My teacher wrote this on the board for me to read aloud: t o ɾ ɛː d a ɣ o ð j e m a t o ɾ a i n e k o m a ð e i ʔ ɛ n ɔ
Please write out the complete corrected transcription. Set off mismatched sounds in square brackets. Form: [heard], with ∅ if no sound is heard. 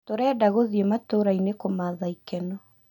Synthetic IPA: t o ɾ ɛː d a ɣ o ð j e m a t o ɾ a i n e k o m a ð [a] i [k] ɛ n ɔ